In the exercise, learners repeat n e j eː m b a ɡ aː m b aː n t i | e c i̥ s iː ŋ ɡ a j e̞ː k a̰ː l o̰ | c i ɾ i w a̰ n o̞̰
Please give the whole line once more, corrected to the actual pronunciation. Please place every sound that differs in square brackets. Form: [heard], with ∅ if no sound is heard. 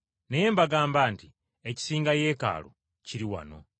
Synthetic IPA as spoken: n e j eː m b a ɡ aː m b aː n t i | e c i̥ s iː ŋ ɡ a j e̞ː k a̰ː l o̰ | c i ɾ i w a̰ n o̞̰